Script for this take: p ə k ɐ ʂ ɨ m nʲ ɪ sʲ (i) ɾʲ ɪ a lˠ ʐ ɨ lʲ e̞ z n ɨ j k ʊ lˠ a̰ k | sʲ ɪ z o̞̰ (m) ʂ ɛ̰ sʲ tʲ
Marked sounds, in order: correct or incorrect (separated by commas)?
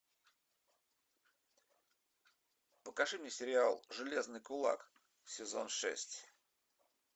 incorrect, incorrect